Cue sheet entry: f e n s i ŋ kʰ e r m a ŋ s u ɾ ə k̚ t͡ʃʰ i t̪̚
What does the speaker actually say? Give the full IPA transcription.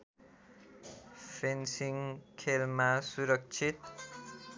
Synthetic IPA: f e n s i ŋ kʰ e l m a s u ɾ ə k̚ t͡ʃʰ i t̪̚